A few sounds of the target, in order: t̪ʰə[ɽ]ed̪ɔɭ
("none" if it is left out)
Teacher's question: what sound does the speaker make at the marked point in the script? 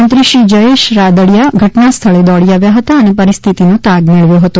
ɭ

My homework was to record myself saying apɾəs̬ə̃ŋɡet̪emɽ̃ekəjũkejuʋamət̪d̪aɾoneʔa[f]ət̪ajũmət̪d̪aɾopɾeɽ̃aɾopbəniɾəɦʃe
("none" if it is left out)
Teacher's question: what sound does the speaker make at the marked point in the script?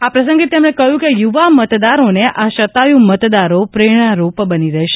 ʃ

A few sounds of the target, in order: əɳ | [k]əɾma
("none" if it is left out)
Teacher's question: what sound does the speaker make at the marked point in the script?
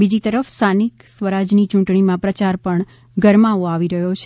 ɡ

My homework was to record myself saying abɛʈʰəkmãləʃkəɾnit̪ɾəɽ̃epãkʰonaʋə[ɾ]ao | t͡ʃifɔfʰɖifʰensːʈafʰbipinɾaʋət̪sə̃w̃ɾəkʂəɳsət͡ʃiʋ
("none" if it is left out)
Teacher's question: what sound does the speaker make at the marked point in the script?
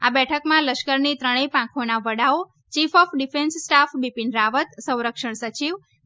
ɽ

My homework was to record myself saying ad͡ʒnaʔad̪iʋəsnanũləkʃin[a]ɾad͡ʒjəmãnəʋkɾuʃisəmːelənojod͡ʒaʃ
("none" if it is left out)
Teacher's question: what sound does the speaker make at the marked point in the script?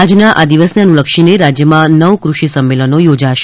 e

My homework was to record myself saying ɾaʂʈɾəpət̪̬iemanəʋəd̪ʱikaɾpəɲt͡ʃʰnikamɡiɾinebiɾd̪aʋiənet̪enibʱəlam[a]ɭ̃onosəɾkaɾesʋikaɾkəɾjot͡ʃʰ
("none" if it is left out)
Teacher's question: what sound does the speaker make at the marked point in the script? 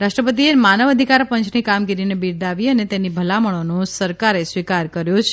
ə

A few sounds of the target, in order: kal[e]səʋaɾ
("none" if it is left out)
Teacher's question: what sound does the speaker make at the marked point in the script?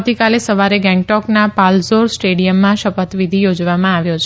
e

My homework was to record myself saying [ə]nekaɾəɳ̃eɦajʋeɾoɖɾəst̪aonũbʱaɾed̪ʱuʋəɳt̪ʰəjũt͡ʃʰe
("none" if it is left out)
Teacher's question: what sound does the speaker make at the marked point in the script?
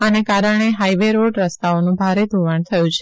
a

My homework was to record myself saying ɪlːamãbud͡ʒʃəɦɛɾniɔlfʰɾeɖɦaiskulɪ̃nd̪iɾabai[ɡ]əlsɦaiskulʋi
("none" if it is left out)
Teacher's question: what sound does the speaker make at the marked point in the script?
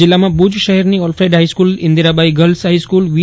ɡ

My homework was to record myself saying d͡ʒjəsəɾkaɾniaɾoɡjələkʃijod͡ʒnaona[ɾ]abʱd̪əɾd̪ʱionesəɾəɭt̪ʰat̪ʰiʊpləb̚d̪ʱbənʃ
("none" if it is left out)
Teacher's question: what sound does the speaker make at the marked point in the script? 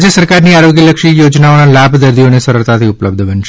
l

